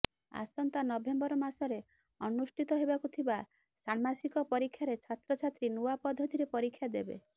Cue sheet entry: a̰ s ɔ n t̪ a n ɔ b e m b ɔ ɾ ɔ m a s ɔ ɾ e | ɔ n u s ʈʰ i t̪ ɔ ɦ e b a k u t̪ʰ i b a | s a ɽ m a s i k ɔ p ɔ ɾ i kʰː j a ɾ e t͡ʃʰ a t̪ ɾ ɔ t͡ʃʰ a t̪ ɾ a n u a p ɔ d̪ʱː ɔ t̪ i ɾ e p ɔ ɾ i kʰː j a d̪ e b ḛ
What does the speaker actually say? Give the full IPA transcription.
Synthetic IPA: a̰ s ɔ n t̪ a n ɔ b e m b ɔ ɾ ɔ m a s ɔ ɾ e | ɔ n u s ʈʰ i t̪ ɔ ɦ e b a k u t̪ʰ i b a | s a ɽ m a s i k ɔ p ɔ ɾ i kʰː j a ɾ e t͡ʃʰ a t̪ ɾ ɔ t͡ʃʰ a t̪ ɾ i n u a p ɔ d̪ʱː ɔ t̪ i ɾ e p ɔ ɾ i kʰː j a d̪ e b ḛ